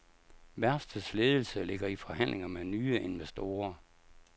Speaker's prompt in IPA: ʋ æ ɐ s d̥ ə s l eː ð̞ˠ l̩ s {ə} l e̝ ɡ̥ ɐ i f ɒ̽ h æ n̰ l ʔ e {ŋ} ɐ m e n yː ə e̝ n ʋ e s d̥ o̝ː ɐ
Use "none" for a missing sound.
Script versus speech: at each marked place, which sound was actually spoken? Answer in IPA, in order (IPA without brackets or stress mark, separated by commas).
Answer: ə, ŋ